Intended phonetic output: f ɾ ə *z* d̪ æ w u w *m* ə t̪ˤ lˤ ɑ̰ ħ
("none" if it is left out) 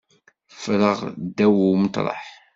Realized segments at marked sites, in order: ʁ, m

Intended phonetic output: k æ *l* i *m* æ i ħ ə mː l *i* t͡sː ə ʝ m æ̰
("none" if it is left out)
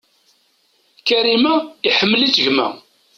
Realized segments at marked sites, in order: ɾ, m, i

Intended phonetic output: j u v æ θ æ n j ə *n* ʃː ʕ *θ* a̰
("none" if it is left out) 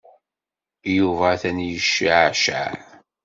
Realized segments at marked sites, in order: none, ʃ

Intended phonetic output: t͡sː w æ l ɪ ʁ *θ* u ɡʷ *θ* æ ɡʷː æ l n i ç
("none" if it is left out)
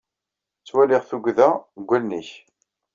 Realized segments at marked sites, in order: θ, ð

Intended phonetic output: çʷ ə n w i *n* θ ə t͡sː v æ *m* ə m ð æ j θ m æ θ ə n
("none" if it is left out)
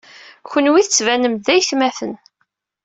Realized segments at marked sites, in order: none, n

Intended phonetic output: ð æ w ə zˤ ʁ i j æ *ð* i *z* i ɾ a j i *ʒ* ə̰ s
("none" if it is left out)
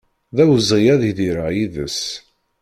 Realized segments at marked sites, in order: ð, ð, ð

